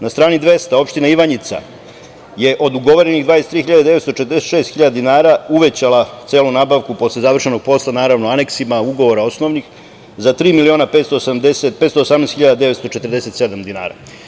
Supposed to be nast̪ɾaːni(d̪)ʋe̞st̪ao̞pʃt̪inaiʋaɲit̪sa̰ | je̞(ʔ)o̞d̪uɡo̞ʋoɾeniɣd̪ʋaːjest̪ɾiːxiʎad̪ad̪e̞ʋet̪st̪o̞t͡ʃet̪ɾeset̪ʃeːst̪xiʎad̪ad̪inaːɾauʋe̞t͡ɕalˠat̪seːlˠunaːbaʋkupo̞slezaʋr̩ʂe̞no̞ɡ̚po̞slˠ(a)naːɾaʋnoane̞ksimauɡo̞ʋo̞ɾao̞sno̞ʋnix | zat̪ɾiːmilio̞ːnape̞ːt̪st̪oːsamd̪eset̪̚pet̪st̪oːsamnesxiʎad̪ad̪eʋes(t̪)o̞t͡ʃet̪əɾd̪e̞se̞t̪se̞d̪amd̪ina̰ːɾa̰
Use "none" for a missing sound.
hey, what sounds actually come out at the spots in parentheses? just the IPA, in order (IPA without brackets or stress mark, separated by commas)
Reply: d̪, ʔ, a, t̪